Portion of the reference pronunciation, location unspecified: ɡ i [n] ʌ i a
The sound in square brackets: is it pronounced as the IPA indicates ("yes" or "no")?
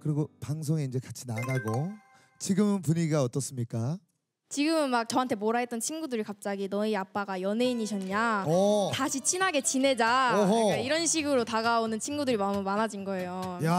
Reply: yes